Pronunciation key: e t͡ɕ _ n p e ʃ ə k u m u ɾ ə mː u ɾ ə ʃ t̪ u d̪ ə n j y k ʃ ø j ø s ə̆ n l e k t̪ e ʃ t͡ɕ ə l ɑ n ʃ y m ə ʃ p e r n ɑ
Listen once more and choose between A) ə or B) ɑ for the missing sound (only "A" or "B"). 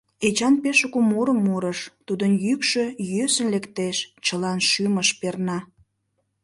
B